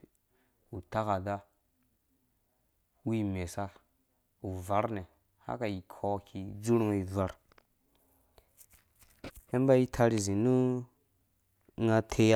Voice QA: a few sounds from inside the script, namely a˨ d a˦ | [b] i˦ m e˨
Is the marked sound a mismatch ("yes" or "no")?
yes